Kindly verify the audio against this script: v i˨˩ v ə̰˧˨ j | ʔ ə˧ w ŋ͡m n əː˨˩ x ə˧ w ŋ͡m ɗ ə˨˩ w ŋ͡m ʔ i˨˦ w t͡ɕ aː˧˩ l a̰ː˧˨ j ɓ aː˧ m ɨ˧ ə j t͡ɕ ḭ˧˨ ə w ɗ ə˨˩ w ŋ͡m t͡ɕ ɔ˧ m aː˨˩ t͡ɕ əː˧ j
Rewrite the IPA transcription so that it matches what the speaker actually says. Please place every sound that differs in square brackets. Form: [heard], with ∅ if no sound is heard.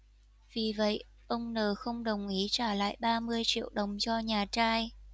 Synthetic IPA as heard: v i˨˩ v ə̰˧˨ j | ʔ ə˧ w ŋ͡m n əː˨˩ x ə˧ w ŋ͡m ɗ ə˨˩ w ŋ͡m ʔ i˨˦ [∅] t͡ɕ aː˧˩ l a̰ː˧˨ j ɓ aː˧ m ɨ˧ ə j t͡ɕ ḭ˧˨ ə w ɗ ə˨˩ w ŋ͡m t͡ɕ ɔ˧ [ɲ] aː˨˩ t͡ɕ [aː˧] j